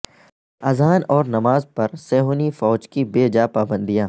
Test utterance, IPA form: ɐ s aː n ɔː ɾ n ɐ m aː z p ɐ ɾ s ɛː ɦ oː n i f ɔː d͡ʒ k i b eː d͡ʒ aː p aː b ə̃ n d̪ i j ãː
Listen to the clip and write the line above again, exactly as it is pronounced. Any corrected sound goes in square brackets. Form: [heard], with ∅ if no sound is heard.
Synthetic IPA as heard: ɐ [z] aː n ɔː ɾ n ɐ m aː z p ɐ ɾ s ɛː ɦ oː n i f ɔː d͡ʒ k i b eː d͡ʒ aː p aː b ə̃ n d̪ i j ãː